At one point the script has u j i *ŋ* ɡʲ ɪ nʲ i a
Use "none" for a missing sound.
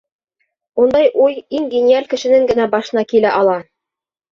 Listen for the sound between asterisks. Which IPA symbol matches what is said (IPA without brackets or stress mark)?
ŋ